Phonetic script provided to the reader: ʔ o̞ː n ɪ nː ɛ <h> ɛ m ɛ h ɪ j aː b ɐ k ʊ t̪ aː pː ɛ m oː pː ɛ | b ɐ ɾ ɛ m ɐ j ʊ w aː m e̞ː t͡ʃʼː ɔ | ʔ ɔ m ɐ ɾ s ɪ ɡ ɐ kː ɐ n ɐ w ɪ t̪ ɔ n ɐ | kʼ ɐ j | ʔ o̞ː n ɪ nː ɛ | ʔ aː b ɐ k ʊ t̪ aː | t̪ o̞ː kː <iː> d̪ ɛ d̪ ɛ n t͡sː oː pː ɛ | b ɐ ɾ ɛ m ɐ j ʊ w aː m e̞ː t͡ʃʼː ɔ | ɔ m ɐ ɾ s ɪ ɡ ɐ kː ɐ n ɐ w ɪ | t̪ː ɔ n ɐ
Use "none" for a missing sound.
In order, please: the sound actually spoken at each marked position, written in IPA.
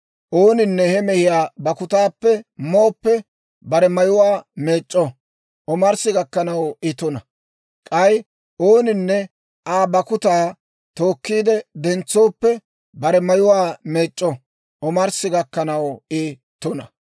h, iː

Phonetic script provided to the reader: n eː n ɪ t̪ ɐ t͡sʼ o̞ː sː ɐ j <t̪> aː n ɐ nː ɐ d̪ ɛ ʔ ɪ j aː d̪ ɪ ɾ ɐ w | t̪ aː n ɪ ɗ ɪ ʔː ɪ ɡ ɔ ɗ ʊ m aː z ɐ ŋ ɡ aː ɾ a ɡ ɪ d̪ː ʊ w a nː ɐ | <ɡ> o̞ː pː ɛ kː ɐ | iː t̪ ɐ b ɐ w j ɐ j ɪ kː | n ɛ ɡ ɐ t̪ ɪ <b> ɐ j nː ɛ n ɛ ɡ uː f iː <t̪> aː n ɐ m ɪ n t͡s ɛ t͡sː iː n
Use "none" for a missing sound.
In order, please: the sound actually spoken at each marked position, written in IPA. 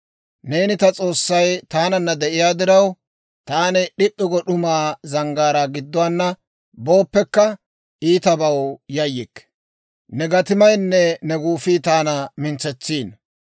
t̪, b, m, t̪

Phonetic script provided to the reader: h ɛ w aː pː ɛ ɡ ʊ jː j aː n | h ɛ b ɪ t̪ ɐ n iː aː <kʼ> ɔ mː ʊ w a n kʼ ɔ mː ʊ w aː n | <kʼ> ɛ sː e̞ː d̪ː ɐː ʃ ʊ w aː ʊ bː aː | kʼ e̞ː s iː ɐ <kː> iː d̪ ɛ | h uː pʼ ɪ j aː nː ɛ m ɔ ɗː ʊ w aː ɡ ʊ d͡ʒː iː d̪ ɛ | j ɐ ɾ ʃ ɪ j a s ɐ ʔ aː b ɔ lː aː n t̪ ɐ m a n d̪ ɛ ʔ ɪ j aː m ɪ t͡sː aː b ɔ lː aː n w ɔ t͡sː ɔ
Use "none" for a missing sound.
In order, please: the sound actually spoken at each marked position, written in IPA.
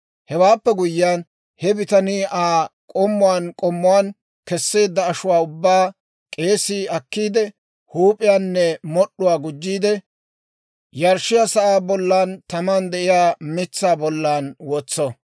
kʼ, k, kː

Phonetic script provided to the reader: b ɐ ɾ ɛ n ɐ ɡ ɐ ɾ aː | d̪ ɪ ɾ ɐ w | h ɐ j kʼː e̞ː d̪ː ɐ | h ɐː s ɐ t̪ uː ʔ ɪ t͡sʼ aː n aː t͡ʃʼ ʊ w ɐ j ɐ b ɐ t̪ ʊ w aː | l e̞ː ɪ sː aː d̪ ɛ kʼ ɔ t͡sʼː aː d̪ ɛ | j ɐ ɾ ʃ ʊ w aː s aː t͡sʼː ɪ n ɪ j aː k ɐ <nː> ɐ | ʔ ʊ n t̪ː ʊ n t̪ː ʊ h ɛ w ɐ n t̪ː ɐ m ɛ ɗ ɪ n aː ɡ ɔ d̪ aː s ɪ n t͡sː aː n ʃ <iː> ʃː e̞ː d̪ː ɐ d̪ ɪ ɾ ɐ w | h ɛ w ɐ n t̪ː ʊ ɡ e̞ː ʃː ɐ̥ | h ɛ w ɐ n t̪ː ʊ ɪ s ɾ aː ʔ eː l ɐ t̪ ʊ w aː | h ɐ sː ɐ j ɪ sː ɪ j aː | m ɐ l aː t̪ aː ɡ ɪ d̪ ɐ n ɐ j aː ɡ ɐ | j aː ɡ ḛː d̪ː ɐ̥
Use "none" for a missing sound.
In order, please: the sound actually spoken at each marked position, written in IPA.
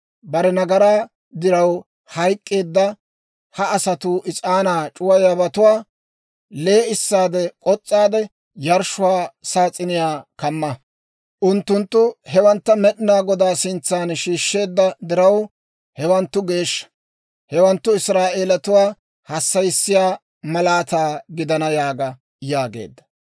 mː, iː

